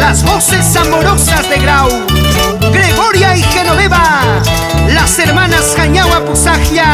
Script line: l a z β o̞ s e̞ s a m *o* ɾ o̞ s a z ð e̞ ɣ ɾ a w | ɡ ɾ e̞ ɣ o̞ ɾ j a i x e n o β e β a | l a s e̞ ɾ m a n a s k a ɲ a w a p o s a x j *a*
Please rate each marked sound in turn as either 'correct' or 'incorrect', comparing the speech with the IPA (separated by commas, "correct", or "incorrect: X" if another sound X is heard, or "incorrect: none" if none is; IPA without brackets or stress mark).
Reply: correct, correct